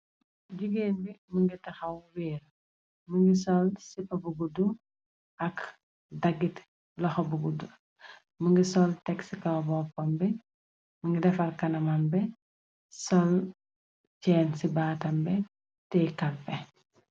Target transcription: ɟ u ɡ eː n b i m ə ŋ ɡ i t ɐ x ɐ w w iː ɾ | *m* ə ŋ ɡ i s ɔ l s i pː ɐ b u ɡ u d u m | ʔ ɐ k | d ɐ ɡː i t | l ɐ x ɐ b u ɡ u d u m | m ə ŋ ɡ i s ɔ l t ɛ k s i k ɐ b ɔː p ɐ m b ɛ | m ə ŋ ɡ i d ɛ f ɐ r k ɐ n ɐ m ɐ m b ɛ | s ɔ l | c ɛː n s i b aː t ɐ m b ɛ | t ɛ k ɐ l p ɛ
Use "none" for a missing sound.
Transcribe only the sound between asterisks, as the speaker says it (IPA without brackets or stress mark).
m